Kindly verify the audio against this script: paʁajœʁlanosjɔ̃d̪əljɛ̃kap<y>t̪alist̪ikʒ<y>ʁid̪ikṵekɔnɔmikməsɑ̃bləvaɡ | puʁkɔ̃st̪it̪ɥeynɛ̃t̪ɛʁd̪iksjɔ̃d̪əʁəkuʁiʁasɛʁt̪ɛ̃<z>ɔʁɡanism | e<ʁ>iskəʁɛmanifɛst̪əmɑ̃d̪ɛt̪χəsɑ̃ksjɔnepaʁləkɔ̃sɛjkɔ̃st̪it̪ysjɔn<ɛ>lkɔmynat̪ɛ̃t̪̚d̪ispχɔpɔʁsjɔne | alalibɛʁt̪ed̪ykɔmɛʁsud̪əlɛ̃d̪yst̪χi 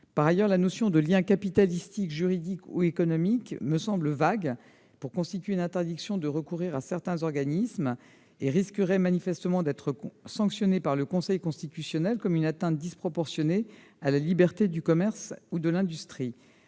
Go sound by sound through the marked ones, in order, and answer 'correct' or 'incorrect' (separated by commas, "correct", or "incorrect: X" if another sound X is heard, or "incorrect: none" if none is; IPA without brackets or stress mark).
incorrect: i, correct, correct, correct, correct